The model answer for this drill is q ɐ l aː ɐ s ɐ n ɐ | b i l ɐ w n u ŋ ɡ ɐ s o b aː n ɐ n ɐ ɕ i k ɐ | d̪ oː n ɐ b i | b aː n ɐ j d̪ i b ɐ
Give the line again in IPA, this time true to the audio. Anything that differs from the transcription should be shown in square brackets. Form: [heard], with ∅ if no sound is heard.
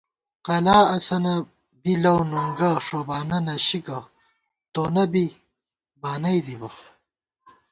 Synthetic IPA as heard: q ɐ l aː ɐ s ɐ n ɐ | b i l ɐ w n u ŋ ɡ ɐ [ʂ] o b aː n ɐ n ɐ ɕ i k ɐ | [t̪] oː n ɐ b i | b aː n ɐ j d̪ i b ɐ